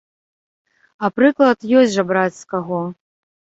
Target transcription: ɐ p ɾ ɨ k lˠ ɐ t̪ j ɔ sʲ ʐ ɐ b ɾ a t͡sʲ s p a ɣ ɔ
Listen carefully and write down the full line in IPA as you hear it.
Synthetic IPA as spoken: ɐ p ɾ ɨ k lˠ ɐ t̪ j ɔ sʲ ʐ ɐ b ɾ a t͡sʲ s k a ɣ ɔ